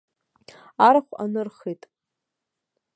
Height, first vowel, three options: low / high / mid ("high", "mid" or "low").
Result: low